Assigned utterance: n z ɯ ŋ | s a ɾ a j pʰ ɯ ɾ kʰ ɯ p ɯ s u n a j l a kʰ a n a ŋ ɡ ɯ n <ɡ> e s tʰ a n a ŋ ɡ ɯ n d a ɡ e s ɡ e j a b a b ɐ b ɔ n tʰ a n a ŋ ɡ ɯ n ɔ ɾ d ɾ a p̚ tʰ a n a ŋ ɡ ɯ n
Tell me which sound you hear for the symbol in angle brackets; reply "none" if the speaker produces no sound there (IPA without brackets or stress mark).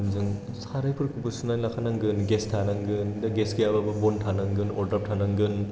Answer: ɡ